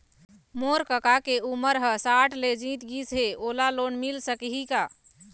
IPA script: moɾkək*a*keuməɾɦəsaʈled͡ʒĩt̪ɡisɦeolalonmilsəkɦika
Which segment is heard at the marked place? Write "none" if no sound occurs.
a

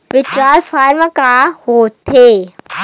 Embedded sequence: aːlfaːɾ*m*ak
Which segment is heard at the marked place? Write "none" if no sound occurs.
m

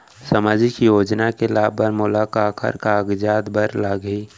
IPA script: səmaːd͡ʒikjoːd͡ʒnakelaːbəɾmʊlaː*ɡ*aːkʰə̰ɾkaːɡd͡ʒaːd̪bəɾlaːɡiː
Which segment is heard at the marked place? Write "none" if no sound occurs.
k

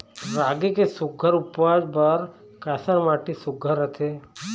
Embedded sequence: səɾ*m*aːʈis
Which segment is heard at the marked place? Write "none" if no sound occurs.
m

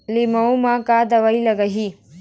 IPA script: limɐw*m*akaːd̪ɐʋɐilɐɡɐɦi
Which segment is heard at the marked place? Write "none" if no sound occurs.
m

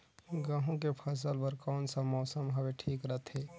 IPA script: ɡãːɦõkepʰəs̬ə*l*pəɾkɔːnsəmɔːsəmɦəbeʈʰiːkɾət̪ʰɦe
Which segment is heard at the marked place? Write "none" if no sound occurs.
l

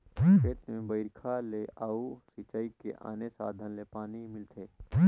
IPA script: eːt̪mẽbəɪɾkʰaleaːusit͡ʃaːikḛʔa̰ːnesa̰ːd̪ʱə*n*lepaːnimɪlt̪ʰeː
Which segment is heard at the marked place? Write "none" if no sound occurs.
n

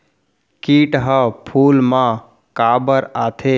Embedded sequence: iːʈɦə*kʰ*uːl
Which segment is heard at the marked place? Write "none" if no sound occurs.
pʰ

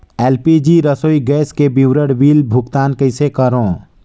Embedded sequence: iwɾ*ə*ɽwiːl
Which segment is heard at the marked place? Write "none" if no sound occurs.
ə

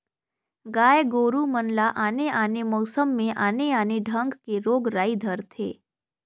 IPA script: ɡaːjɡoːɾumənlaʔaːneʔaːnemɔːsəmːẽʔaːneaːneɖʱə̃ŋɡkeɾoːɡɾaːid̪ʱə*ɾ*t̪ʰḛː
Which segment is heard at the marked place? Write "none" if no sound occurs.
ɾ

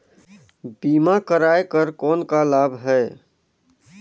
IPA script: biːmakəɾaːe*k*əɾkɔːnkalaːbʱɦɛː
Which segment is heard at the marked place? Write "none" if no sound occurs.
k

